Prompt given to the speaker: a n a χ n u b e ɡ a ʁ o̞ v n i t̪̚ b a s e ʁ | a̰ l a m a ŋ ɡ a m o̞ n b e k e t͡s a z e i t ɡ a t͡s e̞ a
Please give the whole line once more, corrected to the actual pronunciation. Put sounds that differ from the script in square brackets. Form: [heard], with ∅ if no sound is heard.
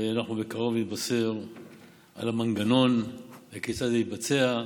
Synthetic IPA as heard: a n a χ n u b e [k] a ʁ o̞ v n i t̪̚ b a s e ʁ | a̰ l a m a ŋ ɡ a [n] o̞ n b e k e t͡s a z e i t [b] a t͡s e̞ a